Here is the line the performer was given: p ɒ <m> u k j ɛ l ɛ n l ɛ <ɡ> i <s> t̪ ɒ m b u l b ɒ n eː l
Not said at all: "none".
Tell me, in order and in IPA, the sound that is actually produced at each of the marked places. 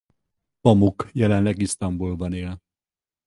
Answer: m, ɡ, s

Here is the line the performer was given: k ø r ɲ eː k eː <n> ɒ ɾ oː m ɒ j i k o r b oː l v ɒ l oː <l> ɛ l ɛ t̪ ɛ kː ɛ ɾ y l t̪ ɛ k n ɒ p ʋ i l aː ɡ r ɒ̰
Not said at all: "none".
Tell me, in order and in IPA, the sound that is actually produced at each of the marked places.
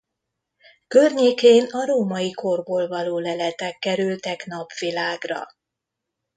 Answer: n, l

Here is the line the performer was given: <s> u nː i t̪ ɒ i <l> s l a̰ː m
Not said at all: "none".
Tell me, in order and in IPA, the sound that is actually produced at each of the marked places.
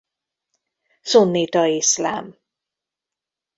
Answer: s, none

